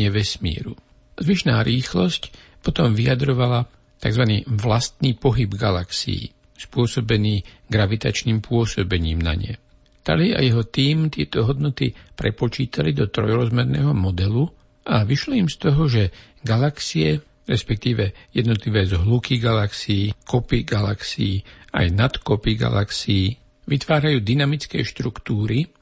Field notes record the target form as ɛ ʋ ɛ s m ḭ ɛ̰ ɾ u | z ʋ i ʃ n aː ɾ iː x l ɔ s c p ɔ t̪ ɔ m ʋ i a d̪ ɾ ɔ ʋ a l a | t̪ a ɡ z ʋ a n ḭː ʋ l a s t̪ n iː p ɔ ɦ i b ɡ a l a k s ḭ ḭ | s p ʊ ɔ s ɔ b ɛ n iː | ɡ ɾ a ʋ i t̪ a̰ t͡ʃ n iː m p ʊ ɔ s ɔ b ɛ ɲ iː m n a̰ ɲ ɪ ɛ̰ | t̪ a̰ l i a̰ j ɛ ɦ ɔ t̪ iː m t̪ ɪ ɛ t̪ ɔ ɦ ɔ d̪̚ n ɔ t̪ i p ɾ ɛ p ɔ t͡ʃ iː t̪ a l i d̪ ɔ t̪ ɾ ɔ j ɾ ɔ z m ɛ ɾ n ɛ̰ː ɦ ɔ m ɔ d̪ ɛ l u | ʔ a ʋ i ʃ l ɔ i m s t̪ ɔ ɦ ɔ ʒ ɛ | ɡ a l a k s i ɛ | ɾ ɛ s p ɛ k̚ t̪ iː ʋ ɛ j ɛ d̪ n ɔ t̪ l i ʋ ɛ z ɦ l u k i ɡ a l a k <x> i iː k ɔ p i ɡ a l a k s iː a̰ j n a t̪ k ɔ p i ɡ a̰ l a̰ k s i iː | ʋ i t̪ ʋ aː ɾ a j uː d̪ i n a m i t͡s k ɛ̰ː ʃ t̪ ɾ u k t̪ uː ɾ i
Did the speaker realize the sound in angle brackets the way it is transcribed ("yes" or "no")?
no